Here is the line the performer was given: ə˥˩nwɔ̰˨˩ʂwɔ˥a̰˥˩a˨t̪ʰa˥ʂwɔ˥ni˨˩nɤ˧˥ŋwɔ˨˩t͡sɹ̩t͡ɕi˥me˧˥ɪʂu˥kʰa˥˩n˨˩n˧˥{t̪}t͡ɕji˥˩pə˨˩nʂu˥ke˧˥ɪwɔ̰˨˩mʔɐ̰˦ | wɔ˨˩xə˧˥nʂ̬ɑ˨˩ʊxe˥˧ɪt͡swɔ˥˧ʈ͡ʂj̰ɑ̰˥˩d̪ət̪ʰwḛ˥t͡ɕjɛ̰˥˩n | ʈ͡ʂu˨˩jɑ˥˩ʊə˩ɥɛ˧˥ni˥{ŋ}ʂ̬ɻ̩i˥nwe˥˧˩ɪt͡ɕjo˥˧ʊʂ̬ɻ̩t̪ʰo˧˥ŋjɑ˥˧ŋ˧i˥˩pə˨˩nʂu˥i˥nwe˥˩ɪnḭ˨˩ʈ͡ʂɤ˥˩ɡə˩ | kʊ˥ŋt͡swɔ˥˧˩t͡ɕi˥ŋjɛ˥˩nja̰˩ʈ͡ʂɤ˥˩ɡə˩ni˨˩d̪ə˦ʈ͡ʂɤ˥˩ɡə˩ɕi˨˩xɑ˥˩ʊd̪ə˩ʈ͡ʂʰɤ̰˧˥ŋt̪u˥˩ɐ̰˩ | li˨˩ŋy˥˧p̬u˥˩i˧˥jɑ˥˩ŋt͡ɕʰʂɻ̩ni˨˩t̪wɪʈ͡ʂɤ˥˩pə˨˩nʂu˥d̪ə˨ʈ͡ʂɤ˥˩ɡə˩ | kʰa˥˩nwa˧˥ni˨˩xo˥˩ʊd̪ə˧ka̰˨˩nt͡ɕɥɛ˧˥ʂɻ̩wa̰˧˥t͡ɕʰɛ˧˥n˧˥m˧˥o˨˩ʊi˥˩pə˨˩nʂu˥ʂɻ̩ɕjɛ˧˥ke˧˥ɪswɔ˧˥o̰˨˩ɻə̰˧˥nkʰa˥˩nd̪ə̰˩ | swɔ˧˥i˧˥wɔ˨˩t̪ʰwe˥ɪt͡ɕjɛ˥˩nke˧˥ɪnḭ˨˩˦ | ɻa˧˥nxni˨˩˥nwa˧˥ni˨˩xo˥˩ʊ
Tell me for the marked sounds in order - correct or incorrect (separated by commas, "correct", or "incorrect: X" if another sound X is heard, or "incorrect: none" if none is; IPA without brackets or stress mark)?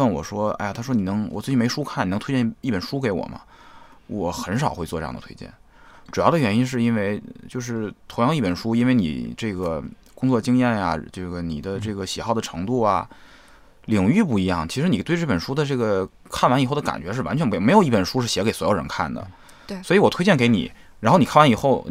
incorrect: t̪ʰ, incorrect: n